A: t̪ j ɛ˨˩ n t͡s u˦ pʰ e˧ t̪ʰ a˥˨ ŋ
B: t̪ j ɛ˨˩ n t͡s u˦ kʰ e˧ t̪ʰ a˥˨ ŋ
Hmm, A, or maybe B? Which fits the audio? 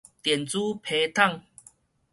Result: A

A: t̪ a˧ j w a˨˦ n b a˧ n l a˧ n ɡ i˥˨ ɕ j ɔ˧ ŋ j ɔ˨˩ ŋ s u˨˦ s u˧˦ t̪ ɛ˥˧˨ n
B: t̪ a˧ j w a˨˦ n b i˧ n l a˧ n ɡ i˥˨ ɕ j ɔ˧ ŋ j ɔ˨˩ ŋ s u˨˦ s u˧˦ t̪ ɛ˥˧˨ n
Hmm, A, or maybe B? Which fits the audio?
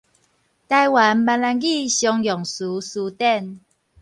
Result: A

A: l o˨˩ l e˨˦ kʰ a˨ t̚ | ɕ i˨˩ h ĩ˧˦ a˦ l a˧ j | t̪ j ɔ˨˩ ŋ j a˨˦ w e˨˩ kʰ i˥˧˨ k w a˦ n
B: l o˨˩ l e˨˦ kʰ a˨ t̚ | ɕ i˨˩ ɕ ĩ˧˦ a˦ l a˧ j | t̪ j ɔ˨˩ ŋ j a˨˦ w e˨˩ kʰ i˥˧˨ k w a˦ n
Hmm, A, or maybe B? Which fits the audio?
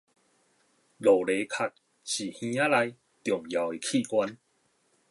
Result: A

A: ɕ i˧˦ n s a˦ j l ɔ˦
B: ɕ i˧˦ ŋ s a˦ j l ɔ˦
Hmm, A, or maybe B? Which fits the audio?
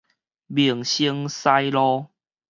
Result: B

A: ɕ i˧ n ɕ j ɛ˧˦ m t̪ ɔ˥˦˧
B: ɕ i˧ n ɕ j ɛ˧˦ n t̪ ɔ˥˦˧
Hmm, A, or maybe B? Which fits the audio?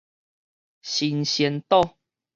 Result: B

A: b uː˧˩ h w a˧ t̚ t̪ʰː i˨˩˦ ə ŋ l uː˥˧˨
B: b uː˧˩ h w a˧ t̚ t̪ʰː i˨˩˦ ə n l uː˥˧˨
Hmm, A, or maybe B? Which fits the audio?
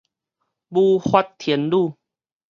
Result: B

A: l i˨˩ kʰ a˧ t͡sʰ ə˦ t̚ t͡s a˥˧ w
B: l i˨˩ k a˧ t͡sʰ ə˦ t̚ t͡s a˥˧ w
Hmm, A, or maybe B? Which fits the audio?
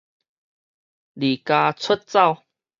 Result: B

